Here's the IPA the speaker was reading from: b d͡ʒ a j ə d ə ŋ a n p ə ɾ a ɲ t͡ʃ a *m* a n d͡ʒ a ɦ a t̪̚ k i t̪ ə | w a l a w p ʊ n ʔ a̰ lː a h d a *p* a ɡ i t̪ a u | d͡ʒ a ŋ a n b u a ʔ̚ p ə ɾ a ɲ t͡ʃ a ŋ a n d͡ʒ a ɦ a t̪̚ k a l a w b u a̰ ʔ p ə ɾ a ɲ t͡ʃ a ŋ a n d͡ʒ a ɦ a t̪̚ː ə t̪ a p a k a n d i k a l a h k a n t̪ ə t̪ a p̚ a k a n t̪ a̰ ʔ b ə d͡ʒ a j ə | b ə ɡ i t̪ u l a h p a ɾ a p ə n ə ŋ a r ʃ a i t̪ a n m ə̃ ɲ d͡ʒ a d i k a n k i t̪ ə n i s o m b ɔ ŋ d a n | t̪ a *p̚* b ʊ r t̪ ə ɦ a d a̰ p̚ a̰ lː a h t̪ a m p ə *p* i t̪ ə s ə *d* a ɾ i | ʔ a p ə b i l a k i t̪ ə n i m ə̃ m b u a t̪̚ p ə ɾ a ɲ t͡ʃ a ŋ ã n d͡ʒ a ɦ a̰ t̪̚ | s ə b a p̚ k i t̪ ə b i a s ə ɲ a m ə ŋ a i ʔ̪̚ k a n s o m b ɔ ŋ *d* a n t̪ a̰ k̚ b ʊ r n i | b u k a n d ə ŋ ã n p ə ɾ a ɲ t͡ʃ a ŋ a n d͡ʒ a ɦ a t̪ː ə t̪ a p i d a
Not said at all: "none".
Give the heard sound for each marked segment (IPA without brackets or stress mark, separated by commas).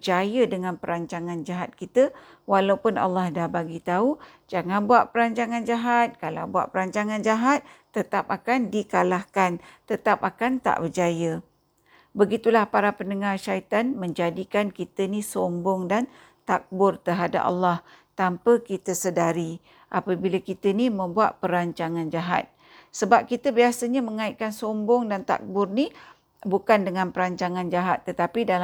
ŋ, b, k̚, k, d, d